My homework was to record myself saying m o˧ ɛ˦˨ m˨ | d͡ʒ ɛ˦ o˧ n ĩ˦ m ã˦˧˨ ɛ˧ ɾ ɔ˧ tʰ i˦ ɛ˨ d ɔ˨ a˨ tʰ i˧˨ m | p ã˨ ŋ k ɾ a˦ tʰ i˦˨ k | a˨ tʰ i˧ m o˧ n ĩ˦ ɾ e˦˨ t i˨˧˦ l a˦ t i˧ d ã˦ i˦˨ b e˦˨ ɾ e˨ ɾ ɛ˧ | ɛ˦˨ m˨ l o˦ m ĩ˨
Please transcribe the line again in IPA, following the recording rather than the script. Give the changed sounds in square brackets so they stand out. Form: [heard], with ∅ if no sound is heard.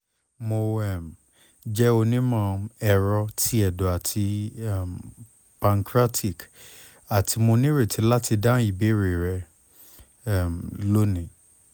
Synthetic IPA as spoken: m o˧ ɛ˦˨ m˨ | d͡ʒ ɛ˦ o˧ n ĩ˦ m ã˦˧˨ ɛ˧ ɾ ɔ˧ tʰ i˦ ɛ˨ d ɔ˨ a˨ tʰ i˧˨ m | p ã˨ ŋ k ɾ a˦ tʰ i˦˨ k | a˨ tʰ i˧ m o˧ n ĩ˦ ɾ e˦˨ t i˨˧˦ l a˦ t i˧ d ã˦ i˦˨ b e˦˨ ɾ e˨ ɾ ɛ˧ | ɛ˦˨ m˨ l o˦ [n] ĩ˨